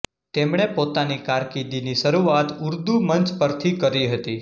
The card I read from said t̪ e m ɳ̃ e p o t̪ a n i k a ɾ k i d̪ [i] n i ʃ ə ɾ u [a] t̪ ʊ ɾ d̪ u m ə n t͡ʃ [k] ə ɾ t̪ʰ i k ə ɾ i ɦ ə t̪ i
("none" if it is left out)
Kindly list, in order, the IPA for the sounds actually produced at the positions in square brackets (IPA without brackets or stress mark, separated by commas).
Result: i, a, p